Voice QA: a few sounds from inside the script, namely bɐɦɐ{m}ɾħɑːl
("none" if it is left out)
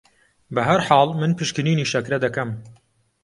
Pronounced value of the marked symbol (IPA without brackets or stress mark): none